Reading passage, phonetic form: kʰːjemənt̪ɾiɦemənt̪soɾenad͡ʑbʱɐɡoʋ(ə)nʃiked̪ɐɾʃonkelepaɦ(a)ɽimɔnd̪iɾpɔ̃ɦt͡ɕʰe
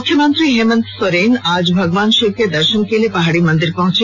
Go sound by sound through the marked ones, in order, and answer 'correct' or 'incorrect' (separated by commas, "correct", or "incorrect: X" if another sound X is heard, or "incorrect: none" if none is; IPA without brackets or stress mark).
incorrect: a, correct